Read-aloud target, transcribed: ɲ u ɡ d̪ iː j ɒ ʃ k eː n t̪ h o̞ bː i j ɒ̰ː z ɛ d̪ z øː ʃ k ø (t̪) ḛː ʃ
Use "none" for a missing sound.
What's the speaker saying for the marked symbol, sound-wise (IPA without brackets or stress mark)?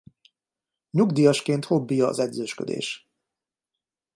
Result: d̪